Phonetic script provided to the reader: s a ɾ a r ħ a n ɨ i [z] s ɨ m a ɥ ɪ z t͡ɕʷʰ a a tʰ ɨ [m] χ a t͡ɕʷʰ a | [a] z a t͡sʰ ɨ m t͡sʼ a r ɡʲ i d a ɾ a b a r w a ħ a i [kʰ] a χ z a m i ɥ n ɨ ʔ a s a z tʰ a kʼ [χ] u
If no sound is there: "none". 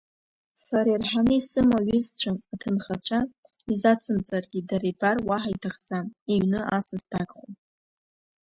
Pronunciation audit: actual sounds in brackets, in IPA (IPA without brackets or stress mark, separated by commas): none, n, i, tʰ, χ